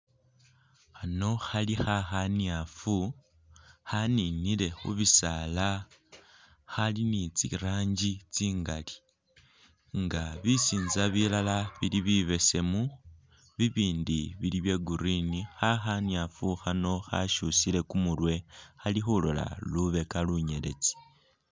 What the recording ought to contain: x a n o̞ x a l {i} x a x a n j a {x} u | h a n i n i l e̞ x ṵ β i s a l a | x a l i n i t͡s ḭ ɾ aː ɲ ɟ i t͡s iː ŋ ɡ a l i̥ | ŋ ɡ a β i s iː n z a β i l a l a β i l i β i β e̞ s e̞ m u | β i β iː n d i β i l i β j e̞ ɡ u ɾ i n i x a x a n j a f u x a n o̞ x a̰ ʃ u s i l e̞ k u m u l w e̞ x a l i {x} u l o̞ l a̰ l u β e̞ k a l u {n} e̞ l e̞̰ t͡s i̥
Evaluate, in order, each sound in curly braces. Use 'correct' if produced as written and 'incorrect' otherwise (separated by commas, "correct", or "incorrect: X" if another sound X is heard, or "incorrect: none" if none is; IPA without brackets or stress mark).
correct, incorrect: f, correct, incorrect: ɲ